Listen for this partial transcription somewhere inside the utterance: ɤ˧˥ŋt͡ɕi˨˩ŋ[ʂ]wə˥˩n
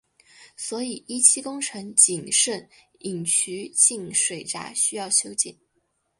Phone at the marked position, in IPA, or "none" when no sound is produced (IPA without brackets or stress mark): ʂ